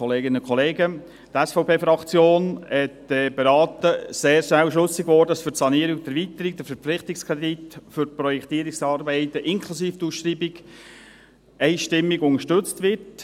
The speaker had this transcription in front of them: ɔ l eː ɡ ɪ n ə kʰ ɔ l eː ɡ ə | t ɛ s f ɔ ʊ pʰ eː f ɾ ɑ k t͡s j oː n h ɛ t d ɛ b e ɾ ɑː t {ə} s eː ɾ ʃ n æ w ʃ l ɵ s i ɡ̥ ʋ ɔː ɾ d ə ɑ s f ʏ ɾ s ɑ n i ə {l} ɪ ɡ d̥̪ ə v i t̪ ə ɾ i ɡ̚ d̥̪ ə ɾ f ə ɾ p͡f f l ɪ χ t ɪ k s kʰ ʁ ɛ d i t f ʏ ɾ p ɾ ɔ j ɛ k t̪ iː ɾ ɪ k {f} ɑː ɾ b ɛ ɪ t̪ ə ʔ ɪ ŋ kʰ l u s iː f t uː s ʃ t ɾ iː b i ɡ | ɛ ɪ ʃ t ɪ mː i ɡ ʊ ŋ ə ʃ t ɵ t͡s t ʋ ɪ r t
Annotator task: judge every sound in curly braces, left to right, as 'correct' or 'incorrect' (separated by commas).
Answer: correct, incorrect, incorrect